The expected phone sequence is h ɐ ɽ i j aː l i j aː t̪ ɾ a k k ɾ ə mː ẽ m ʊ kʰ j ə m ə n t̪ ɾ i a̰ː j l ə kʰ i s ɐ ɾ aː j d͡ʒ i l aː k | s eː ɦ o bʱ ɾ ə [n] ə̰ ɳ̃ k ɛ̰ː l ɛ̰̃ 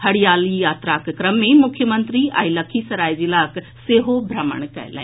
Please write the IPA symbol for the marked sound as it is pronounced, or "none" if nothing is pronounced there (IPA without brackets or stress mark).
m